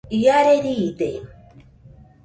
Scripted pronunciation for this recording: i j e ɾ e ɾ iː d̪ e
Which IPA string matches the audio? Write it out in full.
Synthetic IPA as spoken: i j a ɾ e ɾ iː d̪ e

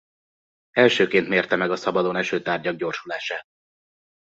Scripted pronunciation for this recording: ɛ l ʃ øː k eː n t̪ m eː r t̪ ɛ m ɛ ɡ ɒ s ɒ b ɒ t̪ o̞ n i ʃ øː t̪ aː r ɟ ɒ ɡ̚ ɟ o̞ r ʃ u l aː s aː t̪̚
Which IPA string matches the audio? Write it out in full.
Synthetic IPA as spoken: ɛ l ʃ øː k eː n t̪ m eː r t̪ ɛ m ɛ ɡ ɒ s ɒ b ɒ d̪ o̞ n ɛ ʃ øː t̪ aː r ɟ ɒ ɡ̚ ɟ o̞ r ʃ u l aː ʃ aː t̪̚

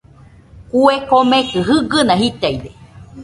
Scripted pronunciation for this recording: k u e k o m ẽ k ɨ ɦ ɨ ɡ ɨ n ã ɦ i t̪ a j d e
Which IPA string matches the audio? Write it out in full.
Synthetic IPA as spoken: k u e k o m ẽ k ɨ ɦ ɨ ɡ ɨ n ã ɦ i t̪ a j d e

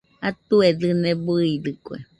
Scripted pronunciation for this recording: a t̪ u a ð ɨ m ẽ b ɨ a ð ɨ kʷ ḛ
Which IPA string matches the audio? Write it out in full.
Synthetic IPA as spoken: a t̪ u e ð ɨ n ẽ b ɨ i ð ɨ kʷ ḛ

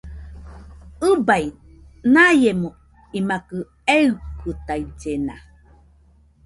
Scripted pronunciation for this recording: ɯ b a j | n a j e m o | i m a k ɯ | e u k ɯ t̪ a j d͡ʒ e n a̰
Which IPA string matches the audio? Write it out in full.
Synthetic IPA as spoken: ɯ b a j | n a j e m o | i m a k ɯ | e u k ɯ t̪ a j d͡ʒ e n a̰

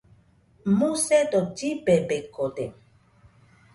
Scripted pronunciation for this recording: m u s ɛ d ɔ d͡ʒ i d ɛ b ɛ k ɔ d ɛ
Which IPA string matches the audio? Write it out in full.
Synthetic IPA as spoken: m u s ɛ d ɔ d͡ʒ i b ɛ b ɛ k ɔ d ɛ

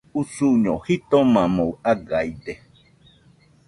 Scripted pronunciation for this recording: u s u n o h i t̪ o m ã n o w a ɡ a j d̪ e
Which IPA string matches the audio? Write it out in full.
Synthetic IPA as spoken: u s u ɲ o h i t̪ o m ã m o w a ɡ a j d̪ e

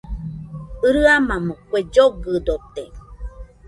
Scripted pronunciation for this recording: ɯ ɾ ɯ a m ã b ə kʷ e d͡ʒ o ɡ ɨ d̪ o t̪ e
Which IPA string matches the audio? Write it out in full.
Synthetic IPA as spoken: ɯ ɾ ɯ a m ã m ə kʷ e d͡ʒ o ɡ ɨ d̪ o t̪ e

